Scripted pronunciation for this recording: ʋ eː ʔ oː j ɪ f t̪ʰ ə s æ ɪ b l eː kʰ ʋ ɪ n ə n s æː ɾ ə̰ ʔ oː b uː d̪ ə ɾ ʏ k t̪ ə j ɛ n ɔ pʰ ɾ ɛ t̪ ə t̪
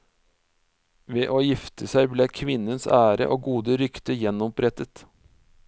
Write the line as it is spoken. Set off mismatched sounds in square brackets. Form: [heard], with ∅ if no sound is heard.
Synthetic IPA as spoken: ʋ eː ʔ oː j ɪ f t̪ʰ ə s æ ɪ b l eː kʰ ʋ ɪ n ə n s æː ɾ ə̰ ʔ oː [ɡ] uː d̪ ə ɾ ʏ k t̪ ə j ɛ n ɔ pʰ ɾ ɛ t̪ ə t̪